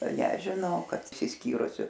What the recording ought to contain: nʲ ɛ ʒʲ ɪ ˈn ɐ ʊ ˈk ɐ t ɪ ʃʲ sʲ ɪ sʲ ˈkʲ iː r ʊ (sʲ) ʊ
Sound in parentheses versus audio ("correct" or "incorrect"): correct